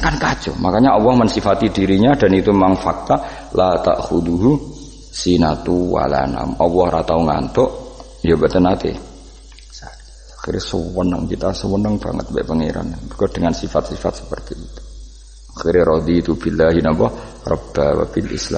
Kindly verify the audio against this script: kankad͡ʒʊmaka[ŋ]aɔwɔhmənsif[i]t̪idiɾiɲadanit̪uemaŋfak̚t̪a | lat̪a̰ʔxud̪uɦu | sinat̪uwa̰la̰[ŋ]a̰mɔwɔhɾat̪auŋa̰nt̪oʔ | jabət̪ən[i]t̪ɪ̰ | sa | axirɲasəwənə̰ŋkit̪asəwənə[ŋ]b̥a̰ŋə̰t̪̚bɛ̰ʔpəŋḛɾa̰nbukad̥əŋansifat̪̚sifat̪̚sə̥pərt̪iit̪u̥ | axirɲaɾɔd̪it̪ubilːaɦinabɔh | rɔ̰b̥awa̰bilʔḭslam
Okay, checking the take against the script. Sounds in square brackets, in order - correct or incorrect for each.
incorrect: ɲ, incorrect: a, incorrect: n, incorrect: a, correct

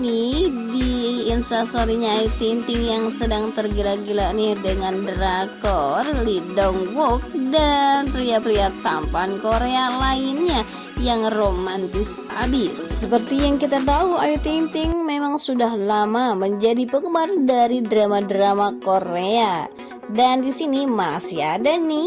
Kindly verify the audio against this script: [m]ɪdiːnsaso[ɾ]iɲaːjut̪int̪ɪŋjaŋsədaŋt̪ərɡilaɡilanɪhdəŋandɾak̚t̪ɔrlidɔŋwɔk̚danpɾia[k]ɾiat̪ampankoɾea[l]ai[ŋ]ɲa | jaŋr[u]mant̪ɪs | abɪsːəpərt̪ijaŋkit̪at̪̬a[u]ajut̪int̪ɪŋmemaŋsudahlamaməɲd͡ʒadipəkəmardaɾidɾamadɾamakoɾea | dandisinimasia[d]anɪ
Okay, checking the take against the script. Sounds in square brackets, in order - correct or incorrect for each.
incorrect: n, correct, incorrect: p, correct, incorrect: n, incorrect: o, correct, correct

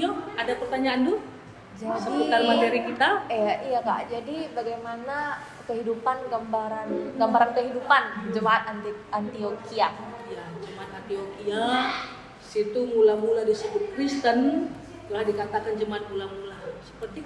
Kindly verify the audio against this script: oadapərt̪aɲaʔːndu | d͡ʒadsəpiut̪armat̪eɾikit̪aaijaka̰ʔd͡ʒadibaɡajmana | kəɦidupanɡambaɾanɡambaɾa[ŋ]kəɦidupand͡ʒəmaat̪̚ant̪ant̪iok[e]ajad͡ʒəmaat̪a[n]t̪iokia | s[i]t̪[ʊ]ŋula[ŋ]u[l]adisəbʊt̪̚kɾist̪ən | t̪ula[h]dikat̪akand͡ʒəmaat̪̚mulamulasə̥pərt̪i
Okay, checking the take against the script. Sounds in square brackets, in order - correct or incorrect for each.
incorrect: n, incorrect: i, correct, correct, incorrect: u, incorrect: m, correct, correct

